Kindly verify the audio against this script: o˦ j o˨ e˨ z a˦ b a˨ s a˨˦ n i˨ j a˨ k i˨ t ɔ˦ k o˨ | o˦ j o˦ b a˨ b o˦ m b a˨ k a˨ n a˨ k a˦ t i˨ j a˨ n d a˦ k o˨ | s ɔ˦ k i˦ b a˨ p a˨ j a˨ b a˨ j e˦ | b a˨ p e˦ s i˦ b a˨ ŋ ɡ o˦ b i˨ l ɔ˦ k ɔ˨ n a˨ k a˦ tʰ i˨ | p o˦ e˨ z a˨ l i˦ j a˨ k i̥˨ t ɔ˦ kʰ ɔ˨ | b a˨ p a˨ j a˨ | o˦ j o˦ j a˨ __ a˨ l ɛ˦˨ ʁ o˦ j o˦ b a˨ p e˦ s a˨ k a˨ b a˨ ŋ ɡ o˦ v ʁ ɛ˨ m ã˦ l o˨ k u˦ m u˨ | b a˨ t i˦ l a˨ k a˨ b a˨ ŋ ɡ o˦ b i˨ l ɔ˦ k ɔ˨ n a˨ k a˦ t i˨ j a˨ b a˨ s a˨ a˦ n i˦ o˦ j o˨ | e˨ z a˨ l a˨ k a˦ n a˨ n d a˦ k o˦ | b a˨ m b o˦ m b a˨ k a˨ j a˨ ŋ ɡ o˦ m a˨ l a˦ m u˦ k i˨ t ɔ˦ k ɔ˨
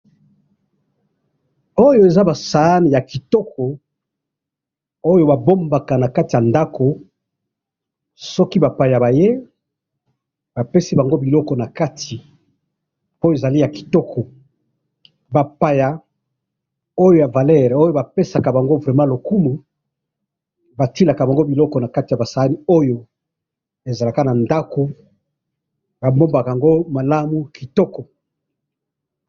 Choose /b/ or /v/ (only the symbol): v